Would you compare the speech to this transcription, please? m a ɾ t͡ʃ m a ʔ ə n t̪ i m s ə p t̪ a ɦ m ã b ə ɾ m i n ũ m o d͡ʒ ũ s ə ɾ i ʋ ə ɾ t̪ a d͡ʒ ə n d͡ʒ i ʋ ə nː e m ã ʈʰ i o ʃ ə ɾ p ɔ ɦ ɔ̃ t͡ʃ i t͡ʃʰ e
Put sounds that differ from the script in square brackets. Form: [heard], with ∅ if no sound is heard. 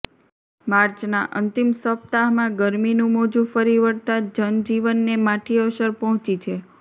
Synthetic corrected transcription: m a ɾ t͡ʃ [n] a ʔ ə n t̪ i m s ə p t̪ a ɦ m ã [ɡ] ə ɾ m i n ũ m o d͡ʒ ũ [f] ə ɾ i ʋ ə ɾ t̪ a d͡ʒ ə n d͡ʒ i ʋ ə nː e m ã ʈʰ i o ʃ ə ɾ p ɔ ɦ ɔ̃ t͡ʃ i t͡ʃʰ e